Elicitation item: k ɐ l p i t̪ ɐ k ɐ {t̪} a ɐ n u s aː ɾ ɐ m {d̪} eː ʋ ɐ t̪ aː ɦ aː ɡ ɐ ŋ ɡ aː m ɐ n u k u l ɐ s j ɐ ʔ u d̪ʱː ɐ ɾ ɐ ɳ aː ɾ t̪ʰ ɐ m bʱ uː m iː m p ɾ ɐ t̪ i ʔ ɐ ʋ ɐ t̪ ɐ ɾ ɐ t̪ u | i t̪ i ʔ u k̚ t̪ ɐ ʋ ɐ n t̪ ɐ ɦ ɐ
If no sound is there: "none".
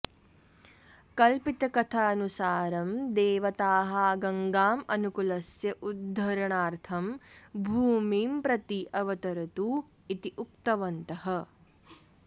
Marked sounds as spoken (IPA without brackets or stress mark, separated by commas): t̪ʰ, d̪